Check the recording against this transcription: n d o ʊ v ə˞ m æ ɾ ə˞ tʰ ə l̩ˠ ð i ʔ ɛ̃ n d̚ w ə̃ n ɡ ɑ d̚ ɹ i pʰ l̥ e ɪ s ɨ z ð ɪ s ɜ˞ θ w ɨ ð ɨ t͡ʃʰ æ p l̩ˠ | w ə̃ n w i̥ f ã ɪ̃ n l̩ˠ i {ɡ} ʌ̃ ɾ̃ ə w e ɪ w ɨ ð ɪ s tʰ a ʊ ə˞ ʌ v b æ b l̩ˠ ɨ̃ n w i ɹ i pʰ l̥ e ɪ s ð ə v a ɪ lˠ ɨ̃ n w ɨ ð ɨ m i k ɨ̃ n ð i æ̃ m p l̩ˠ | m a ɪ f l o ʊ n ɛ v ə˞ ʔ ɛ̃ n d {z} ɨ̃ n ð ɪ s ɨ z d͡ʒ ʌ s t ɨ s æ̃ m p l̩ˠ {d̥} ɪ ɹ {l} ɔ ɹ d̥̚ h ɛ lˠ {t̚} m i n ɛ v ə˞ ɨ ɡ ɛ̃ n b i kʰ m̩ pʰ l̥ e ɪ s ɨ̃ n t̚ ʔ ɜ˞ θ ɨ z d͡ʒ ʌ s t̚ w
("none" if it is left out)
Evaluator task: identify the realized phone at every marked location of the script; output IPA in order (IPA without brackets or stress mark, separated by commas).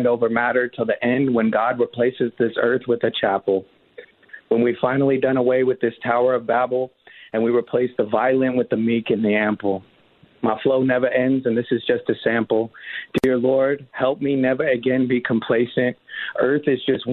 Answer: d, z, d̥, l, p̚